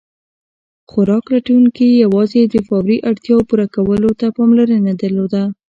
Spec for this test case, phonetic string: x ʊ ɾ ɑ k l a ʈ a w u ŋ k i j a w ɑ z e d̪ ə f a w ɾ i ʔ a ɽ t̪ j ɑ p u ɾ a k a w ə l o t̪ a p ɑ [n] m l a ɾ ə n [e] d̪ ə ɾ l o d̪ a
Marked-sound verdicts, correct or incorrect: incorrect, incorrect

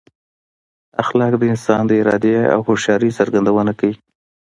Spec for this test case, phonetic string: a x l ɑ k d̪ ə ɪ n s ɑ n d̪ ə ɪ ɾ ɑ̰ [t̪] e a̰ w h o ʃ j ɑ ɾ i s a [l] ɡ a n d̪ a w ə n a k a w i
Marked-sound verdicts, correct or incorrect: incorrect, incorrect

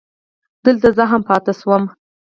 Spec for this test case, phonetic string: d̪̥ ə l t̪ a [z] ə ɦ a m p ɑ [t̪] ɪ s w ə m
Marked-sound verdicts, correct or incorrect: correct, correct

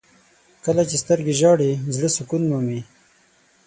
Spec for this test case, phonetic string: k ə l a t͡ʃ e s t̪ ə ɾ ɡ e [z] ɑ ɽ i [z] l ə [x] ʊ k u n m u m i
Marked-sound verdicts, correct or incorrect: incorrect, correct, incorrect

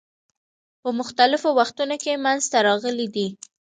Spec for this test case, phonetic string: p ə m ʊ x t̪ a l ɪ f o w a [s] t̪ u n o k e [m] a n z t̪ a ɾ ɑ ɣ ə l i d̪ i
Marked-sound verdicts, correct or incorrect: incorrect, correct

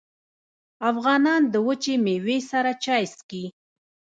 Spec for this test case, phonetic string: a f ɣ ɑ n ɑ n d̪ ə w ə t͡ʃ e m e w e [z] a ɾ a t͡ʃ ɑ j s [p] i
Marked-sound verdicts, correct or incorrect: incorrect, incorrect

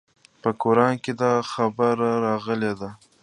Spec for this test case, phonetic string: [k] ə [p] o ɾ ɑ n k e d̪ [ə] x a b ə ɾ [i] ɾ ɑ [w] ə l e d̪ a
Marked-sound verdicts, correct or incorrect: incorrect, incorrect, incorrect, incorrect, incorrect

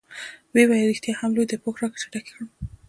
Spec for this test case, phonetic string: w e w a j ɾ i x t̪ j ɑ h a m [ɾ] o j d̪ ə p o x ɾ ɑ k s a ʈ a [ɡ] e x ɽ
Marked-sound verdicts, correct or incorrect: incorrect, incorrect

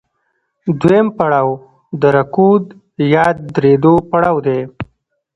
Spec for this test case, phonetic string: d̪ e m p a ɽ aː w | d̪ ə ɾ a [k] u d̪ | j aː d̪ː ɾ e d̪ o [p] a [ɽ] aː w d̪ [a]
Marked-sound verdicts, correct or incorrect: correct, correct, correct, incorrect

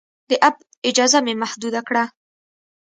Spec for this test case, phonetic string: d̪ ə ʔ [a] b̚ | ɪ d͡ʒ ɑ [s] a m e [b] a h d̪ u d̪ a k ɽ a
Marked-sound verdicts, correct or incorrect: correct, incorrect, incorrect

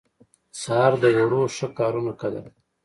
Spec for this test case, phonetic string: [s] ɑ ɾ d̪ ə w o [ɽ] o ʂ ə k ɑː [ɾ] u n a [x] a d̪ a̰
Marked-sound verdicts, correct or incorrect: correct, correct, correct, incorrect

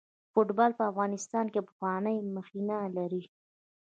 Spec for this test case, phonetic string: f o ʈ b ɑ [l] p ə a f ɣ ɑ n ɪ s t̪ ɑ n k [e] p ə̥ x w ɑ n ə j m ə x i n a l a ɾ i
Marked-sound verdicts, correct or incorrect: correct, correct

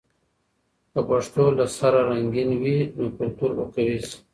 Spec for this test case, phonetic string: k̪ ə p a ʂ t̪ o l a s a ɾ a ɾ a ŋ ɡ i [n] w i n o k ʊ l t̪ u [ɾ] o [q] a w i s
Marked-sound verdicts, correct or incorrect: correct, correct, incorrect

